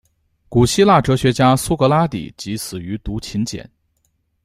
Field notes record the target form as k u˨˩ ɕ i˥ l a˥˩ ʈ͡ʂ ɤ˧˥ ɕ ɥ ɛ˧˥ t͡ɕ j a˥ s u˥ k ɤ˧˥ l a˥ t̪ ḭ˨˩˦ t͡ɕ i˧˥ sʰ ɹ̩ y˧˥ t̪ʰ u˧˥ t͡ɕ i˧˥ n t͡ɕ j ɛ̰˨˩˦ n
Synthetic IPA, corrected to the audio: k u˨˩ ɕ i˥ l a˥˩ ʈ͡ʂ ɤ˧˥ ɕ ɥ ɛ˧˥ t͡ɕ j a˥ s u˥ k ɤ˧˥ l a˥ t̪ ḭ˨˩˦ t͡ɕ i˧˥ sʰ ɹ̩ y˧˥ t̪ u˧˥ t͡ɕʰ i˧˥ n t͡ɕ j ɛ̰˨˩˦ n